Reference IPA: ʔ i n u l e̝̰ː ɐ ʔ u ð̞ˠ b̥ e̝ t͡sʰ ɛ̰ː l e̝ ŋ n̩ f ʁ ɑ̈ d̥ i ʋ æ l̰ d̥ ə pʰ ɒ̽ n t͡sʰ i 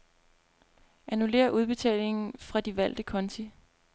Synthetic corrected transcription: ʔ æ n u l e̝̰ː ɐ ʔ u ð̞ˠ b̥ e̝ t͡sʰ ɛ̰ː l e̝ ŋ n̩ f ʁ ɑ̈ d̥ i ʋ æ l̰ d̥ ə kʰ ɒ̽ n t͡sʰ i